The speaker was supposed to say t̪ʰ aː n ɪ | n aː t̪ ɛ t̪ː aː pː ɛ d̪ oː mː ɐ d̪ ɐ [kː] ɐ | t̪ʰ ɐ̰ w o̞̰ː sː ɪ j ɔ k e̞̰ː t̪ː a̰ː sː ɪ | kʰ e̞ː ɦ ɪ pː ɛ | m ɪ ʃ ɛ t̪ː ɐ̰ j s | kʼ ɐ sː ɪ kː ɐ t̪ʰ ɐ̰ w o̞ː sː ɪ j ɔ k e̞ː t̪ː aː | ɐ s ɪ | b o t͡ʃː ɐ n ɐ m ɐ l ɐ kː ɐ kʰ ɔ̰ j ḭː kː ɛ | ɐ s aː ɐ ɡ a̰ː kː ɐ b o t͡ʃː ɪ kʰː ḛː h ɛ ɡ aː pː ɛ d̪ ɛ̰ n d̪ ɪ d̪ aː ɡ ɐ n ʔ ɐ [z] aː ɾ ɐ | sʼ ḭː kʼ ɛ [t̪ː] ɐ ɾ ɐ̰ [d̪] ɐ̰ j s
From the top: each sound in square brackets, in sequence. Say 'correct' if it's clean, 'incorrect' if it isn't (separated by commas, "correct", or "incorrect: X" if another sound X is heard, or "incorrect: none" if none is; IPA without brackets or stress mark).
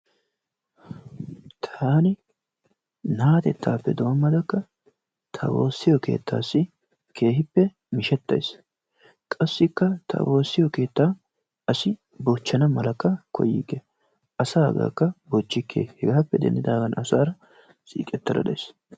correct, incorrect: s, correct, correct